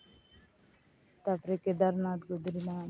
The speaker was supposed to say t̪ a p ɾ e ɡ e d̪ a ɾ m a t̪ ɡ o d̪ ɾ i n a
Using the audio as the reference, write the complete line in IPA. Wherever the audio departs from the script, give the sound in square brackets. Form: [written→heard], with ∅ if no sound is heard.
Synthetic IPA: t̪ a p ɾ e [ɡ→k] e d̪ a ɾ [m→n] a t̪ ɡ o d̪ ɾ i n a